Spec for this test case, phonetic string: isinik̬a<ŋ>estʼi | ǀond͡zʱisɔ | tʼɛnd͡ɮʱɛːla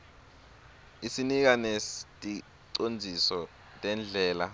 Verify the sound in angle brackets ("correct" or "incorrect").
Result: incorrect